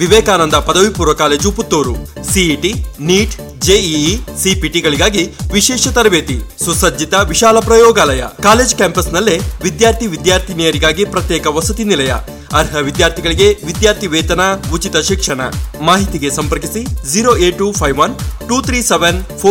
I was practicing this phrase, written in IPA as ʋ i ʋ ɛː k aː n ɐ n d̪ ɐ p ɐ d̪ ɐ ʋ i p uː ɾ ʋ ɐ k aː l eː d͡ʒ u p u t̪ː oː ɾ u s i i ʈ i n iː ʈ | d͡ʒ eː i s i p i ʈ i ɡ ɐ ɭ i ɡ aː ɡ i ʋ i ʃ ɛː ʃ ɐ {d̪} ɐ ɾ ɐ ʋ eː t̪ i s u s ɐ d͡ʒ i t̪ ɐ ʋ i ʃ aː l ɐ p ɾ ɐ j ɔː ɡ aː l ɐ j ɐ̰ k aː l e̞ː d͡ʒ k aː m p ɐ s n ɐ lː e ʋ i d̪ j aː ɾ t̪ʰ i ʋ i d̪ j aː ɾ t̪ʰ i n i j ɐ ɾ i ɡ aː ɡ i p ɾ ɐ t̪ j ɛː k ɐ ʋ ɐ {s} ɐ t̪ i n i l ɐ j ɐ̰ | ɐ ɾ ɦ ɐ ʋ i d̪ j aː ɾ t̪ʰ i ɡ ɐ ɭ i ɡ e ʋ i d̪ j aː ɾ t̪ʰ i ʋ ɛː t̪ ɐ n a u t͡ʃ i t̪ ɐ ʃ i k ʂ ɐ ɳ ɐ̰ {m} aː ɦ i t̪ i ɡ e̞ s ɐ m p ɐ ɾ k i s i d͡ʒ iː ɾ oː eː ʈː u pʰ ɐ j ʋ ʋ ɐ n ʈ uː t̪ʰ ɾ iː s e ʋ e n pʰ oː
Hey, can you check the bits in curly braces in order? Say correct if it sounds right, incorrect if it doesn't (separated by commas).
incorrect, correct, correct